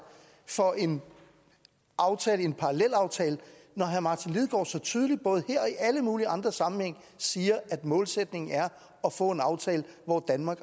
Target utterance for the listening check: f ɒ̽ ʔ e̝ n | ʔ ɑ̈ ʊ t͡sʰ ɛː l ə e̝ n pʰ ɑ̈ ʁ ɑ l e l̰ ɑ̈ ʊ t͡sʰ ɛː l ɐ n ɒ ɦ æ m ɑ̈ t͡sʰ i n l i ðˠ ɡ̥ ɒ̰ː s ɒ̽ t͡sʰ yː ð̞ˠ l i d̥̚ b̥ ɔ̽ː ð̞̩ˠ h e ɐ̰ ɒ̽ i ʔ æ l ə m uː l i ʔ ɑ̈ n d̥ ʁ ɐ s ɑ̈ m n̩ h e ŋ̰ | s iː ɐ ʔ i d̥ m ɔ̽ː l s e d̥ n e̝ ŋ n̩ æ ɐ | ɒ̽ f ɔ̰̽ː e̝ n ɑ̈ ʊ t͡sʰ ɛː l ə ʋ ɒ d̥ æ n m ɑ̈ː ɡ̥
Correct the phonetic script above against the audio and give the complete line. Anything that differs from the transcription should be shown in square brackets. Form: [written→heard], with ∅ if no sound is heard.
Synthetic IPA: f ɒ̽ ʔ e̝ n | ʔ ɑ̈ ʊ t͡sʰ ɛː l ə e̝ n pʰ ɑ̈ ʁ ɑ l e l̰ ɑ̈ ʊ t͡sʰ ɛː l [ɐ→ə] n ɒ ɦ æ m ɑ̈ t͡sʰ i n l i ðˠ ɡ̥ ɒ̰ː s ɒ̽ t͡sʰ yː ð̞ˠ l i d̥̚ b̥ ɔ̽ː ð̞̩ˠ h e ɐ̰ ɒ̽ i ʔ æ l ə m uː l i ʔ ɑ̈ n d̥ ʁ ɐ s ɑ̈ m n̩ h e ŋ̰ | s iː ɐ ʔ [i→æ] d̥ m ɔ̽ː l s e d̥ n e̝ ŋ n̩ æ ɐ | ɒ̽ f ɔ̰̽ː e̝ n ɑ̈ ʊ t͡sʰ ɛː l ə ʋ ɒ d̥ æ n m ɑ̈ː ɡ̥